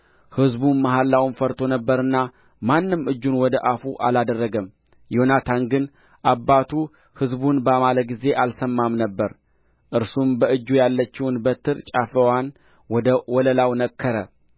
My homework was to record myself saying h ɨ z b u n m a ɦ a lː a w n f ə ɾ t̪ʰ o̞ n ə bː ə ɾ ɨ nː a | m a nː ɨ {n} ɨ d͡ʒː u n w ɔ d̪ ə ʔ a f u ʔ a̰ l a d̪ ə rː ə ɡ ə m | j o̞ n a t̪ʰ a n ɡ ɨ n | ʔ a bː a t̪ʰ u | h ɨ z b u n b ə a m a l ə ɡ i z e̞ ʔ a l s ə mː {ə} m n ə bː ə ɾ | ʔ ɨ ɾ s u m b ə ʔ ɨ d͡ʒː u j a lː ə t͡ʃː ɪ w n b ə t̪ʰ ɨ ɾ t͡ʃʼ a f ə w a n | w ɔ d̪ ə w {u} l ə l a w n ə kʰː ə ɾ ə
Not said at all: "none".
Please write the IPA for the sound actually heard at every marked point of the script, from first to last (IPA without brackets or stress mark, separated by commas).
m, a, ɔ